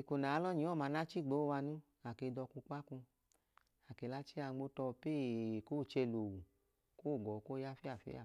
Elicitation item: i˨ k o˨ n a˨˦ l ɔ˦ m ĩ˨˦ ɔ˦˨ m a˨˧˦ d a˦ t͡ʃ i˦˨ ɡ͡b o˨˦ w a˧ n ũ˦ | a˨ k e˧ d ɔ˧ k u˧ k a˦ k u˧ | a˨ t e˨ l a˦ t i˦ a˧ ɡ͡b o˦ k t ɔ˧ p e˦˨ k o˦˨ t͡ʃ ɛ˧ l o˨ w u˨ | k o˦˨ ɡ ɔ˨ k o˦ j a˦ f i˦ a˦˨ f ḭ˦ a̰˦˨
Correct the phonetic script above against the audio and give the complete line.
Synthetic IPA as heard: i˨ k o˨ n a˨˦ l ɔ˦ ɲ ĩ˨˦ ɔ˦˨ m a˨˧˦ n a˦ t͡ʃ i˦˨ ɡ͡b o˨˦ w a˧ n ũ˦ | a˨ k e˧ d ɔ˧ k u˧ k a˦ k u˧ | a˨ k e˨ l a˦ t͡ʃ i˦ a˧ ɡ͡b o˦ t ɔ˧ p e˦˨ k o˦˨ t͡ʃ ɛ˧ l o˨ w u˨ | k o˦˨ ɡ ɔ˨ k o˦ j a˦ f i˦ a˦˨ f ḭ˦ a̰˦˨